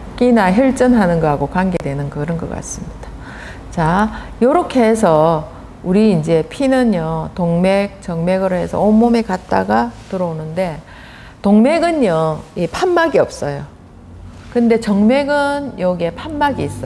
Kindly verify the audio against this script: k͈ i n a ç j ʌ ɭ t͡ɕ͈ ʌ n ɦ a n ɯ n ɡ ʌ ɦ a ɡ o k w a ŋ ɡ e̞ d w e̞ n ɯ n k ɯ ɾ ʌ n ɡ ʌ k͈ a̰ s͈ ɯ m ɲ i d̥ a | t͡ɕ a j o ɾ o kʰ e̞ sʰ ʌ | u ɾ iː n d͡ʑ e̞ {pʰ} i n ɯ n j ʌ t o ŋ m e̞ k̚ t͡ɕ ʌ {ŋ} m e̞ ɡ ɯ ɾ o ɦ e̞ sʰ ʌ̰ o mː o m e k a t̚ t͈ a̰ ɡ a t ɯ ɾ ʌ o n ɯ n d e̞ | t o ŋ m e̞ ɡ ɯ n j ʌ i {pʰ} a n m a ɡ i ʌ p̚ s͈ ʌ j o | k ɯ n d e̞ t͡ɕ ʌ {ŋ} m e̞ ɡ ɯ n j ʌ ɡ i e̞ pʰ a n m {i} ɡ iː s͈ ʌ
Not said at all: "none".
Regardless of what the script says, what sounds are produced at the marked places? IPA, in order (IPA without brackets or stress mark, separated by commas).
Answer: pʰ, ŋ, pʰ, ŋ, a